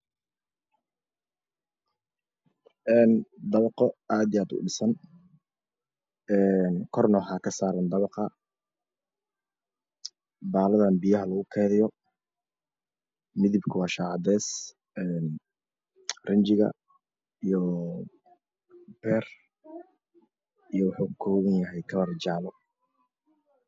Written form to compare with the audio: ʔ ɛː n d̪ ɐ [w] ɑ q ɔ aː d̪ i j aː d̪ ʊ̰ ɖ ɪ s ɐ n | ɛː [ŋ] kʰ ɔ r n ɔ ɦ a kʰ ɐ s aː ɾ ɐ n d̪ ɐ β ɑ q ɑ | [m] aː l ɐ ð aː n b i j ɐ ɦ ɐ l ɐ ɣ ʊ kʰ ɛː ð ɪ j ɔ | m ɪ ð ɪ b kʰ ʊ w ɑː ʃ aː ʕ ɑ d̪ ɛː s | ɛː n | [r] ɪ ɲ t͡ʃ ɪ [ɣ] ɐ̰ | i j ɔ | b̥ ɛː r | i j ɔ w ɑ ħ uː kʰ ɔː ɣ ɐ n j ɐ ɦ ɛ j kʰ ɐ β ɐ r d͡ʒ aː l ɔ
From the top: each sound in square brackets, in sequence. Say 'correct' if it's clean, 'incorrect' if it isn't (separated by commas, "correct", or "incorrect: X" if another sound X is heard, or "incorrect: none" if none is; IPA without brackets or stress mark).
incorrect: β, incorrect: n, incorrect: b, correct, correct